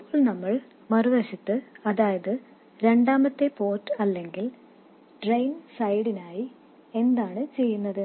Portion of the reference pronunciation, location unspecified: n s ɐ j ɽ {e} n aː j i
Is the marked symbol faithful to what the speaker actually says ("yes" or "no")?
no